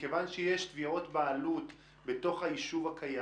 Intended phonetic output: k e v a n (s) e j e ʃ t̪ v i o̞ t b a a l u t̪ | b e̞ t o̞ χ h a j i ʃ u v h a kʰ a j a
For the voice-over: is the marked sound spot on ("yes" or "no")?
no